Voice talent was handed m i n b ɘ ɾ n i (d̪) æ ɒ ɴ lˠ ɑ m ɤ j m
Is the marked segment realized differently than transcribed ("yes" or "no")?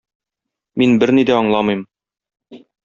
no